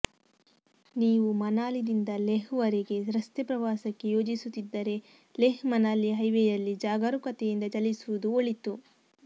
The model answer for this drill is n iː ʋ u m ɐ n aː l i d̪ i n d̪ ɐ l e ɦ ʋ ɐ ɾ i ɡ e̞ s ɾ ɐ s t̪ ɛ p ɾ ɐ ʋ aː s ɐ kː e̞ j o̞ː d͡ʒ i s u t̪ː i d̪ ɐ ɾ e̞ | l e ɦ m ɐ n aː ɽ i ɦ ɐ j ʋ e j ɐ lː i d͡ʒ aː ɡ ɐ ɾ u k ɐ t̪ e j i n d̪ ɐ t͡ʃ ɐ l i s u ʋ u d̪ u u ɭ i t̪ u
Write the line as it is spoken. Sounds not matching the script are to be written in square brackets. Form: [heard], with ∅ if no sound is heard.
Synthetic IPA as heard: n iː ʋ u m ɐ n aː l i d̪ i n d̪ ɐ l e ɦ ʋ ɐ ɾ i ɡ e̞ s ɾ ɐ s t̪ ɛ p ɾ ɐ ʋ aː s ɐ kː e̞ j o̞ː d͡ʒ i s u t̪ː i [d̪ː] ɐ ɾ e̞ | l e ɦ m ɐ n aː [l] i ɦ ɐ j ʋ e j ɐ lː i d͡ʒ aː ɡ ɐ ɾ u k ɐ t̪ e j i n d̪ ɐ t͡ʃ ɐ l i s u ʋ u d̪ u [o] ɭ i t̪ u

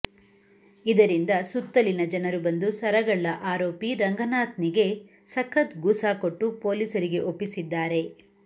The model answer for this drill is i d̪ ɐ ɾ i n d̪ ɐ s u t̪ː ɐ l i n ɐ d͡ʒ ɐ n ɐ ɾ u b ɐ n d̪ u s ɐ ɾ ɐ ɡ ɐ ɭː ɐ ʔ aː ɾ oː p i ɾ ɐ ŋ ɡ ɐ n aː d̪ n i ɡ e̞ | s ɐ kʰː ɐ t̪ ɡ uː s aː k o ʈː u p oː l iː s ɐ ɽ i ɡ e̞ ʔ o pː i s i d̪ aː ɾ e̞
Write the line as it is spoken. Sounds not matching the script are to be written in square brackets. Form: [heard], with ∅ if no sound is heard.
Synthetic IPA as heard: i d̪ ɐ ɾ i n d̪ ɐ s u t̪ː ɐ l i n ɐ d͡ʒ ɐ n ɐ ɾ u b ɐ n d̪ u s ɐ ɾ ɐ ɡ ɐ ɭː ɐ ʔ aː ɾ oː p i ɾ ɐ ŋ ɡ ɐ n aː [t̪] n i ɡ e̞ | s ɐ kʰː ɐ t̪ ɡ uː s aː k o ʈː u p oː l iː s ɐ [ɾ] i ɡ e̞ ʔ o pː i s i [d̪ː] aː ɾ e̞

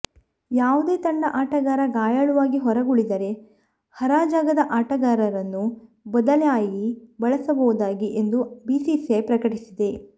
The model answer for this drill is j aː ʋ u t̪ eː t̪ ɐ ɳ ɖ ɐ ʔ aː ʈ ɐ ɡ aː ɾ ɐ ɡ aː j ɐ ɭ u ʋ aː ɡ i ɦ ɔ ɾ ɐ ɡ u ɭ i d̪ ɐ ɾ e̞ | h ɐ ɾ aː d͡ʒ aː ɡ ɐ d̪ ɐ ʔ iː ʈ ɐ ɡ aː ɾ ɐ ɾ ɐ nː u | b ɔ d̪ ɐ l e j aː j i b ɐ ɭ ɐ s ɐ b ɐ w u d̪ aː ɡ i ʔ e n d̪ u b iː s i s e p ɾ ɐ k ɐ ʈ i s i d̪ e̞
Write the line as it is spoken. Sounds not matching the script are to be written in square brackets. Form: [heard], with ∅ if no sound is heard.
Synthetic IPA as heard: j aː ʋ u [d̪] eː t̪ ɐ ɳ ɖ ɐ ʔ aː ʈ ɐ ɡ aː ɾ ɐ ɡ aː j ɐ ɭ u ʋ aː ɡ i ɦ ɔ ɾ ɐ ɡ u ɭ i d̪ ɐ ɾ e̞ | h ɐ ɾ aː d͡ʒ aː ɡ ɐ d̪ ɐ ʔ [aː] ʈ ɐ ɡ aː ɾ ɐ ɾ ɐ nː u | b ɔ d̪ ɐ l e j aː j i b ɐ ɭ ɐ s ɐ b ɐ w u d̪ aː ɡ i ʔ e n d̪ u b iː s i s e p ɾ ɐ k ɐ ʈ i s i d̪ e̞

